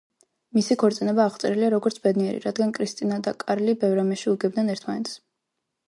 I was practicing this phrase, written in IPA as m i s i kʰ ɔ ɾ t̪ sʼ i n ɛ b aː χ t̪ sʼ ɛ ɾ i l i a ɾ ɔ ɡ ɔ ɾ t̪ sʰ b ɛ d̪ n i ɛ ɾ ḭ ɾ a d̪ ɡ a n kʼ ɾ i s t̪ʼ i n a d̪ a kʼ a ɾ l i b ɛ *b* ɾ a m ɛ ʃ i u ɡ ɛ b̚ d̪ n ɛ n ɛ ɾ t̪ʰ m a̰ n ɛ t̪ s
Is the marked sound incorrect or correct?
incorrect